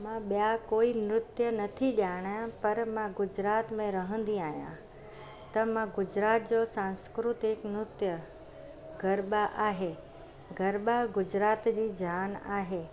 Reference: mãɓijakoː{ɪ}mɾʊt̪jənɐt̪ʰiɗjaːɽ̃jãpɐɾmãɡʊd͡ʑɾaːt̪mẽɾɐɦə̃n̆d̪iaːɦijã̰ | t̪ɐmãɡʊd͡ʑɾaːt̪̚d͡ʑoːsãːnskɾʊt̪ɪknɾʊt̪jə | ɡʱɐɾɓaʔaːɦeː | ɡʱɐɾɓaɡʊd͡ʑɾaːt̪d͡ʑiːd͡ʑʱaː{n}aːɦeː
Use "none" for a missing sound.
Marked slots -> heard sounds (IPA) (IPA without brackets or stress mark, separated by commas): i, n